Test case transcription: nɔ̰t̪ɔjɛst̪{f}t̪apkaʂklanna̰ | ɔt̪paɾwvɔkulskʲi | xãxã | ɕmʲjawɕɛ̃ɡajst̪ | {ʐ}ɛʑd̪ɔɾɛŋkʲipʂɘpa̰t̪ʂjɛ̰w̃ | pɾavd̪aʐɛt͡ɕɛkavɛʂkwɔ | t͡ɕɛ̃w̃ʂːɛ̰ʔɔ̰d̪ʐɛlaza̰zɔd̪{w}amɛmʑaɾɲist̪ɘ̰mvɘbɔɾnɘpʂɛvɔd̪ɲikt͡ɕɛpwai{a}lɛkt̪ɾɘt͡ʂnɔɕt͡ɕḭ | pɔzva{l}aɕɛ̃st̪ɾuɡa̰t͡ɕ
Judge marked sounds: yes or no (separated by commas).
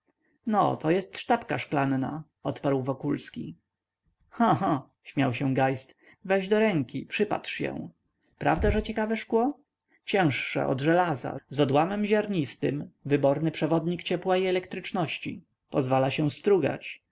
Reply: no, no, yes, no, yes